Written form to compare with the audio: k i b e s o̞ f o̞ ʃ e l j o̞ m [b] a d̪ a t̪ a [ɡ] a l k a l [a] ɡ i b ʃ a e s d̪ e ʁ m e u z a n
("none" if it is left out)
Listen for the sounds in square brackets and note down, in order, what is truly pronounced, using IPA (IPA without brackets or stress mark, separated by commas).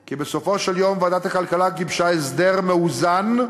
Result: v, k, a